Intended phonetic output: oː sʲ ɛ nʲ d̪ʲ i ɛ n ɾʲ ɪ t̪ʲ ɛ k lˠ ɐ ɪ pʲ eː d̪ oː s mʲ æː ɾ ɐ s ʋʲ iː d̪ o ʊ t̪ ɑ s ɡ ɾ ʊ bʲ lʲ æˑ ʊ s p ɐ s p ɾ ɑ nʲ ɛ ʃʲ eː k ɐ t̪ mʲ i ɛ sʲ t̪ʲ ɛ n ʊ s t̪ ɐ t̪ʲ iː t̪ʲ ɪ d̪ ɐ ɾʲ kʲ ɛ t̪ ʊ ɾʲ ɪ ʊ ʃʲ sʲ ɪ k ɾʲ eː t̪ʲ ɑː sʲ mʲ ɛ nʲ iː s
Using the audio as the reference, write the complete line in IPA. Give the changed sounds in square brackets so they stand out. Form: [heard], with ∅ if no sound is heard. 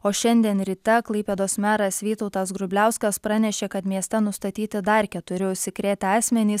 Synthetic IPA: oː [ʃʲ] ɛ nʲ d̪ʲ i ɛ n ɾʲ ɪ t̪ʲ ɛ k lˠ ɐ ɪ pʲ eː d̪ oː s mʲ æː ɾ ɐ s ʋʲ iː [t̪] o ʊ t̪ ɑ s ɡ ɾ ʊ bʲ lʲ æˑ ʊ s [k] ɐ s p ɾ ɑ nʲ ɛ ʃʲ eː k ɐ t̪ mʲ i ɛ sʲ t̪ʲ ɛ n ʊ s t̪ ɐ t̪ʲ iː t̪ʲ ɪ d̪ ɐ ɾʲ kʲ ɛ t̪ ʊ ɾʲ ɪ ʊ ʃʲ sʲ ɪ k ɾʲ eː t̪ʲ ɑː sʲ mʲ ɛ nʲ iː s